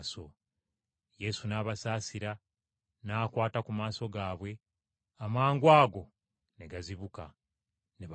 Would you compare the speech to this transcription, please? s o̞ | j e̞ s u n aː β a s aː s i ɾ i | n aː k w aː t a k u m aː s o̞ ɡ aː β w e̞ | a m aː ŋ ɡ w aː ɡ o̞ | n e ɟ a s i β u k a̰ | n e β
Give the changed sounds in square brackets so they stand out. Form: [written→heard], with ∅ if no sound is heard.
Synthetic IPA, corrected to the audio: s o̞ | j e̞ s u n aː β a s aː s i ɾ [i→a] | n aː k w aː t a k u m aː s o̞ ɡ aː β w e̞ | a m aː ŋ ɡ w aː ɡ o̞ | n e [ɟ→ɡ] a [s→z] i β u k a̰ | n e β

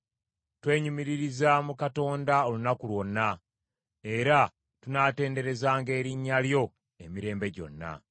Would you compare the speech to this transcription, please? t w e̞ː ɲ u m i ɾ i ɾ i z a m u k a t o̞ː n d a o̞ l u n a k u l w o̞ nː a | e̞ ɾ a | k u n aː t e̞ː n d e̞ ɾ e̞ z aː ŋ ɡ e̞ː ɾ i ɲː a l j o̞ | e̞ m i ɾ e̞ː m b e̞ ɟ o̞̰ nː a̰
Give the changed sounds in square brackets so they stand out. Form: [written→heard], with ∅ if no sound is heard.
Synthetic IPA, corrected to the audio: t w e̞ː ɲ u m i ɾ i ɾ i z a m u k a t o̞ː n d a o̞ l u n a k u l w o̞ nː a | e̞ ɾ a | [k→t] u n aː t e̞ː n d e̞ ɾ e̞ z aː ŋ ɡ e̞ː ɾ i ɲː a l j o̞ | e̞ m i ɾ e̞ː m b e̞ ɟ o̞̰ nː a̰

